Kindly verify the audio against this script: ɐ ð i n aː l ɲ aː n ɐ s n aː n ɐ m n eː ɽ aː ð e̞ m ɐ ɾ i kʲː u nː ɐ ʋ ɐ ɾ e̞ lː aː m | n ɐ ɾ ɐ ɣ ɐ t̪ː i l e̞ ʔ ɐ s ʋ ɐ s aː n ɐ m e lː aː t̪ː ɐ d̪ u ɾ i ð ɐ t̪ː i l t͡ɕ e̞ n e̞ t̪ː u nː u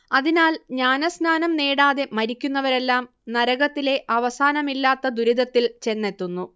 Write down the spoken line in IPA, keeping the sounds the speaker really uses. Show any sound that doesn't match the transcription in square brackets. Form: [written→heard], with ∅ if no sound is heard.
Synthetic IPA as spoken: ɐ ð i n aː l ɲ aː n ɐ s n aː n ɐ m n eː ɽ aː ð e̞ m ɐ ɾ i kʲː u nː ɐ ʋ ɐ ɾ e̞ lː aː m | n ɐ ɾ ɐ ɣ ɐ t̪ː i l e̞ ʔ ɐ [s→∅] ʋ ɐ s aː n ɐ m [e→i] lː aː t̪ː ɐ d̪ u ɾ i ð ɐ t̪ː i l t͡ɕ e̞ [n→nː] e̞ t̪ː u nː u